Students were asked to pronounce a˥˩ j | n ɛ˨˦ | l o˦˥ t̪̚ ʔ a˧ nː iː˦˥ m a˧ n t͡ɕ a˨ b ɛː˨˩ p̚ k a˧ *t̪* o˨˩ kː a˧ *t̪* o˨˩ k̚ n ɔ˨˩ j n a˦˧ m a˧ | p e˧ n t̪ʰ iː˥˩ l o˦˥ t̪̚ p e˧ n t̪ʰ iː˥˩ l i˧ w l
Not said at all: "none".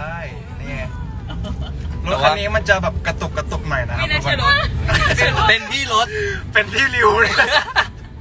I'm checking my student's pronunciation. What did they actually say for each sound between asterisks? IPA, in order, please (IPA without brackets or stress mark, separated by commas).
t̪, t̪